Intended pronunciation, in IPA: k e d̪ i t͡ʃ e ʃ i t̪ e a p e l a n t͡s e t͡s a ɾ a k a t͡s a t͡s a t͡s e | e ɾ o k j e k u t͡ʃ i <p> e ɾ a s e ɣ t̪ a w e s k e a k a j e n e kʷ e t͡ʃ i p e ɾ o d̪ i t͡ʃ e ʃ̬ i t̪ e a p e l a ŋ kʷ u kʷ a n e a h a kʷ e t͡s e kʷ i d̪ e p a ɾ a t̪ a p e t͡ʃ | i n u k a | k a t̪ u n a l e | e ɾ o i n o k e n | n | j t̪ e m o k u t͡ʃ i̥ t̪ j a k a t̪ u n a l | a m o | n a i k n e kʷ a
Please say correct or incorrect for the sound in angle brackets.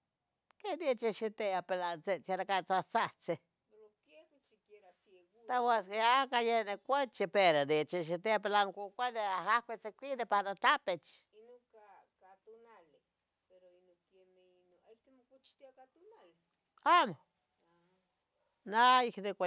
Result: incorrect